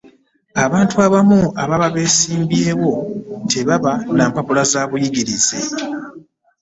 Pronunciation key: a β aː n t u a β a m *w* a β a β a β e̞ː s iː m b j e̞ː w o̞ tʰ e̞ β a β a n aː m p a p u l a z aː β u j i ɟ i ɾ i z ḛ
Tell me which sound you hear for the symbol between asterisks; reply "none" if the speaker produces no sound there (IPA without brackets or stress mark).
u